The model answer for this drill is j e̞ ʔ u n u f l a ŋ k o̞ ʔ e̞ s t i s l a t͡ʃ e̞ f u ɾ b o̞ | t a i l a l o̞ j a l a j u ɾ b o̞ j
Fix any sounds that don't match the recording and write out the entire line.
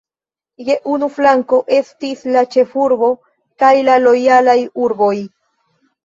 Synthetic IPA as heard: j e̞ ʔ u n u f l a ŋ k o̞ ʔ e̞ s t i s l a t͡ʃ e̞ f u ɾ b o̞ | k a j l a l o̞ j a l a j u ɾ b o̞ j